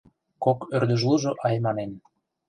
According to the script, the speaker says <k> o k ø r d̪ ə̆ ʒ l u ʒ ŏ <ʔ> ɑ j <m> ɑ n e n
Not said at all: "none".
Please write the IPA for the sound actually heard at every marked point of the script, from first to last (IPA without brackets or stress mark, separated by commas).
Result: k, ʔ, m